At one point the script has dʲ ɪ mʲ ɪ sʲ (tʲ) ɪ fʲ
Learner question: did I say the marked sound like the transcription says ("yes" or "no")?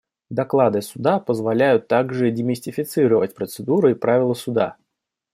yes